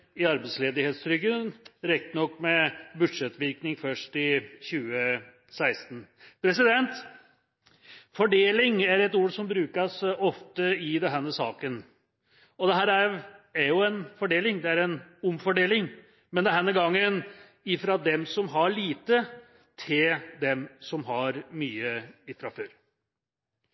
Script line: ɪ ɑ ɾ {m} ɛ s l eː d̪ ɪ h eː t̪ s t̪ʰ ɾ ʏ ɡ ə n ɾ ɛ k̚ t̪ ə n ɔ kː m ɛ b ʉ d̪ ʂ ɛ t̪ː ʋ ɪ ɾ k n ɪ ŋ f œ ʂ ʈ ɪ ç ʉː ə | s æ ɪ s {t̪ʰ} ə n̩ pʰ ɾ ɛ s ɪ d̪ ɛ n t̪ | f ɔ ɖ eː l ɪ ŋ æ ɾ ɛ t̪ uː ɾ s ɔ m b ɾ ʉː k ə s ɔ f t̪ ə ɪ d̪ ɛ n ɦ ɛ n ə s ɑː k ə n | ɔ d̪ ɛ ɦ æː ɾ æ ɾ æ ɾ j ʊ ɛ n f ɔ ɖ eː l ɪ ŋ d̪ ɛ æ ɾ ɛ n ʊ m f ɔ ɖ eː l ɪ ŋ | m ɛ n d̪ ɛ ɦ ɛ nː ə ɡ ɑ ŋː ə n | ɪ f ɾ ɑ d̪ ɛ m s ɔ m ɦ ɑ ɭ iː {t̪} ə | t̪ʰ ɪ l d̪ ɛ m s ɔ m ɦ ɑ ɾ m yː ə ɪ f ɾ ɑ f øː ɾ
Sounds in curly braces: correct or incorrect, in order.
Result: incorrect, incorrect, correct

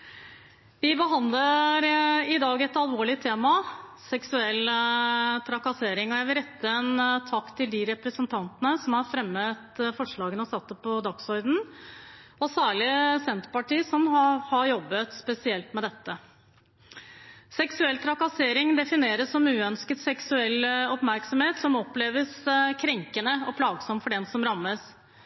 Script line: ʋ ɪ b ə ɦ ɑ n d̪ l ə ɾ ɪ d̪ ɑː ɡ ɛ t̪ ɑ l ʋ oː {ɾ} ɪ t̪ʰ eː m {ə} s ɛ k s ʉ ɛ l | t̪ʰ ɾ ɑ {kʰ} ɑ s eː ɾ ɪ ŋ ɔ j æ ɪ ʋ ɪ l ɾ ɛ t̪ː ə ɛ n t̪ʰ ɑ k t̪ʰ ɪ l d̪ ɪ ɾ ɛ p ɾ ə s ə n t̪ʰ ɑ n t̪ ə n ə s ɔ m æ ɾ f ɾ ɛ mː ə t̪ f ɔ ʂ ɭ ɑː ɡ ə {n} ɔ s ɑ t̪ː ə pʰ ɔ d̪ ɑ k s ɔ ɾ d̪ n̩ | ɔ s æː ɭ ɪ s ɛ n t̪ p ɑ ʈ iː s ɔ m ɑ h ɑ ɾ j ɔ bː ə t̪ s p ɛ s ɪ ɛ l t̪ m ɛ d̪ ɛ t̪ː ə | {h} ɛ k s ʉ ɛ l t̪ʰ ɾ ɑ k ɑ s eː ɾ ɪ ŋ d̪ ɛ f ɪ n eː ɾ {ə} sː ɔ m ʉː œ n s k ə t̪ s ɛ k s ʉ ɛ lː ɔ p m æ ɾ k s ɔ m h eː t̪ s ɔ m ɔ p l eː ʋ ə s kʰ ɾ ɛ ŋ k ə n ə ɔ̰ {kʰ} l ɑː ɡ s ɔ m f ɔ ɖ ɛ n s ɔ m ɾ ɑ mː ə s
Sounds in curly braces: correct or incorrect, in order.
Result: incorrect, incorrect, incorrect, correct, incorrect, correct, incorrect

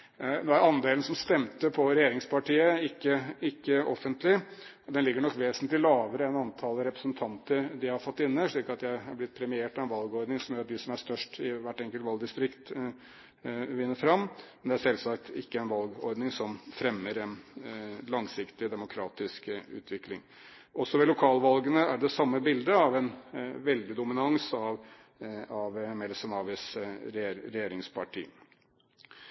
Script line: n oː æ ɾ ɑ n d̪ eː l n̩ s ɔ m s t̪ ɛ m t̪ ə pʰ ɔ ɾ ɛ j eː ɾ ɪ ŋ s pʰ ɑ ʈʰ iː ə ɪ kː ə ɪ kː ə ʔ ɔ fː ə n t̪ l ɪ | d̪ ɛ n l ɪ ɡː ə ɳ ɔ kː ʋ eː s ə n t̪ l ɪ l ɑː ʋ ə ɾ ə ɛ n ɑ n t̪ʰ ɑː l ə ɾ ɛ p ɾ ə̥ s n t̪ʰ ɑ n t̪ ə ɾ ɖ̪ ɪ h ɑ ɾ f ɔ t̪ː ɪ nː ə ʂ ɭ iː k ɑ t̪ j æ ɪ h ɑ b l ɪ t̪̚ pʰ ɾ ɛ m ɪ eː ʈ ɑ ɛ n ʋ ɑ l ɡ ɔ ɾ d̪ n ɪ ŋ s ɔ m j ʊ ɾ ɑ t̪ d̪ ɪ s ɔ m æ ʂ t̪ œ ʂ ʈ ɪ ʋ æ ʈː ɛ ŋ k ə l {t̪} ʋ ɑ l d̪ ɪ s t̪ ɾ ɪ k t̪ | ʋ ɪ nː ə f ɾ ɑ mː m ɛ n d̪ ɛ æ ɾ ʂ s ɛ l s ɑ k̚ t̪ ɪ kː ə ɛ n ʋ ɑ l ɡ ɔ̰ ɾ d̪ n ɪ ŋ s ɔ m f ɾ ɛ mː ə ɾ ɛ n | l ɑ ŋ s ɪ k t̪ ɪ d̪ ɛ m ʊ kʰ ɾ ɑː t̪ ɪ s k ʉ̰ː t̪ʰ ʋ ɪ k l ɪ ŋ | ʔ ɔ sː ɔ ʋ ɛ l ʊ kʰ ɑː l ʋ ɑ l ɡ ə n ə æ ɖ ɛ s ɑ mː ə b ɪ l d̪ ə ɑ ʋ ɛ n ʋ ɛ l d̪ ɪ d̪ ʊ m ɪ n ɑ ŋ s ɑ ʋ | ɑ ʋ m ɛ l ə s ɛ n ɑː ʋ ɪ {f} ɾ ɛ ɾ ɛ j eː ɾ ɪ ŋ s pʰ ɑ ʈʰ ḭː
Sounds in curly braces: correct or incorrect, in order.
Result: correct, incorrect

